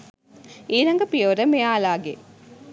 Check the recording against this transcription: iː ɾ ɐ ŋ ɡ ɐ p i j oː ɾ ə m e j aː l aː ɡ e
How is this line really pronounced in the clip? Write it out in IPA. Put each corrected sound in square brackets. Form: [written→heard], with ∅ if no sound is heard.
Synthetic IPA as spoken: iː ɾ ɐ ŋ ɡ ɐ p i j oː ɾ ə m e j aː l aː ɡ e